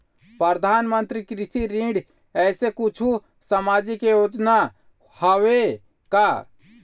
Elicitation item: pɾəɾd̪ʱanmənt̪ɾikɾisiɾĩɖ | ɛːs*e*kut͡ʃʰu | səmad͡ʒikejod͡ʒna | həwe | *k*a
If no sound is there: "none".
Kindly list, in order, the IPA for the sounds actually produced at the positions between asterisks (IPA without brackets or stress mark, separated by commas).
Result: e, k